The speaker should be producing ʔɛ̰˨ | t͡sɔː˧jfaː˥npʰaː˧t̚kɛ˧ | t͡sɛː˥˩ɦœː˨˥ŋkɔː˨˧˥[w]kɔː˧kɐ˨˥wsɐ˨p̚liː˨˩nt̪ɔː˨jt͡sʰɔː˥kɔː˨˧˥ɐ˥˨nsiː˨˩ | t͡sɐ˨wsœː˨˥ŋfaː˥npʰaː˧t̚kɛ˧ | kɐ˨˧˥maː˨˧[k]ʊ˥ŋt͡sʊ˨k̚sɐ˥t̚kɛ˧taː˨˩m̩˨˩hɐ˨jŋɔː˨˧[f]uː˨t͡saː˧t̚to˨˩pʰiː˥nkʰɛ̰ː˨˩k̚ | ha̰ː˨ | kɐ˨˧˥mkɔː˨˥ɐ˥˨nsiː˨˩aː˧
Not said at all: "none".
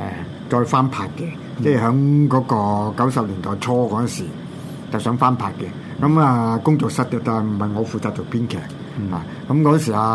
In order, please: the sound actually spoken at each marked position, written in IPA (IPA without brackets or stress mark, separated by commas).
none, k, f